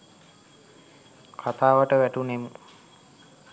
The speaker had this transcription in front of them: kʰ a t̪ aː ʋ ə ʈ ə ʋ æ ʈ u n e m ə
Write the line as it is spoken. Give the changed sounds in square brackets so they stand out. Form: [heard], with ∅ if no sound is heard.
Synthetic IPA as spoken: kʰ a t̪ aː ʋ ə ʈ ə ʋ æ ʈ u n e m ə

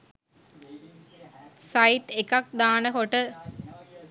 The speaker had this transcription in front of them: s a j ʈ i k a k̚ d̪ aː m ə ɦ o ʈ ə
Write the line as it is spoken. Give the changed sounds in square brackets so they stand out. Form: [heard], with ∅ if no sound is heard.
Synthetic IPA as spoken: s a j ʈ [e] k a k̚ d̪ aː [n] ə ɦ o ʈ ə

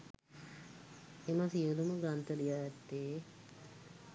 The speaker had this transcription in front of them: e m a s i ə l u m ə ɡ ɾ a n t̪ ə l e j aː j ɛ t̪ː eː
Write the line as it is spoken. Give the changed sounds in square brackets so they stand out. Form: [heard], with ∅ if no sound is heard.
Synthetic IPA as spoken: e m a s i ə l u m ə ɡ ɾ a n t̪ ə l [i] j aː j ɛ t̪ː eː

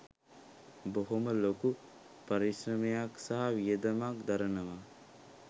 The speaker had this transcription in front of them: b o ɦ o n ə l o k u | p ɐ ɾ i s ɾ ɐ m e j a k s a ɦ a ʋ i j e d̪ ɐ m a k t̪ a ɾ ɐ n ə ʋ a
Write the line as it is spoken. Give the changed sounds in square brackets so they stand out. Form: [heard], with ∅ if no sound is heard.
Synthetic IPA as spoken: b o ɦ o [m] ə l o k u | p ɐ ɾ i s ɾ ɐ m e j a k s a ɦ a ʋ i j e d̪ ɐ m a k [d̪] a ɾ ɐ n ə ʋ a

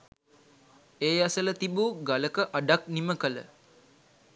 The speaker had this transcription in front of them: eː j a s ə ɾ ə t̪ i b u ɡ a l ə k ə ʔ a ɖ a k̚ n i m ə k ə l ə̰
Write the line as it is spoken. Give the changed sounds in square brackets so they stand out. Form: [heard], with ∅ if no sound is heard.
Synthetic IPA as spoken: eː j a s ə [l] ə t̪ i b u ɡ a l ə k ə ʔ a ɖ a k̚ n i m ə k ə l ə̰

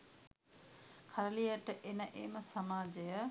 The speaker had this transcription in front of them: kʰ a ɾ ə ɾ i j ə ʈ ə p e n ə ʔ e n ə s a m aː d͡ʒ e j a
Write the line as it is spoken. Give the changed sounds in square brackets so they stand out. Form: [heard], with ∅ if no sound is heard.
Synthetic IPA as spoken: kʰ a ɾ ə [l] i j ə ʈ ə [ʔ] e n ə ʔ e [m] ə s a m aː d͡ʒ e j [ə]

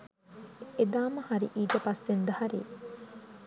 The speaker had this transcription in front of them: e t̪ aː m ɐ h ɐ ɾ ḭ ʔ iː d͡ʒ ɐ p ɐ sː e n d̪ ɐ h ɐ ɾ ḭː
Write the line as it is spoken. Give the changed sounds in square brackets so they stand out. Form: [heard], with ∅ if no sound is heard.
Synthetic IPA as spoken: e [d̪] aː m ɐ h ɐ ɾ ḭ ʔ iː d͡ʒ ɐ p ɐ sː e n d̪ ɐ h ɐ ɾ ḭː

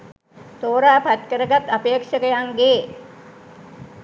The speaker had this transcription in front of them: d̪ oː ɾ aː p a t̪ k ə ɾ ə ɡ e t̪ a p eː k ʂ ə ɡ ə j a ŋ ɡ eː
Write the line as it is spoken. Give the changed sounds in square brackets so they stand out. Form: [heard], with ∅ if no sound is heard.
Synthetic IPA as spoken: [t̪] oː ɾ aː p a t̪ k ə ɾ ə ɡ [a] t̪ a p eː k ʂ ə [k] ə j a ŋ ɡ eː

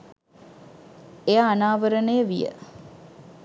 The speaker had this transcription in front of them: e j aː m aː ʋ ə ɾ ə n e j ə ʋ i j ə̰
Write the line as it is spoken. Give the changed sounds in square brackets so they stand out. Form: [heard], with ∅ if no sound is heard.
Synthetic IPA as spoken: e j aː [n] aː ʋ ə ɾ ə n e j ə ʋ i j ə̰

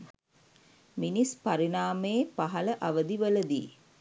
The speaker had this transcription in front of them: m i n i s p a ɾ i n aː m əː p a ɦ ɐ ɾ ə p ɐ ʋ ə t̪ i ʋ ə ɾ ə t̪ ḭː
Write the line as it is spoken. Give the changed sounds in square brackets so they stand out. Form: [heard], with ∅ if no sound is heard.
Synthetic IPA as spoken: m i n i s p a ɾ i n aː m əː p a ɦ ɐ [l] ə [ʔ] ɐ ʋ ə [d̪] i ʋ ə [l] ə [d̪] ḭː

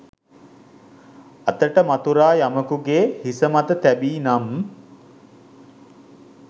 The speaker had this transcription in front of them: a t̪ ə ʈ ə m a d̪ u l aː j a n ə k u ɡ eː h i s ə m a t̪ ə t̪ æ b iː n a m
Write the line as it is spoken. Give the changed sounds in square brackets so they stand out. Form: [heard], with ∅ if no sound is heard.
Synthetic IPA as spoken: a t̪ ə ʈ ə m a [t̪] u [ɾ] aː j a [m] ə k u ɡ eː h i s ə m a t̪ ə t̪ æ b iː n a m

